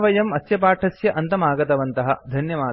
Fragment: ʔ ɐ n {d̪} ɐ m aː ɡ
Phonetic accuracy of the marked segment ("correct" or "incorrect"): incorrect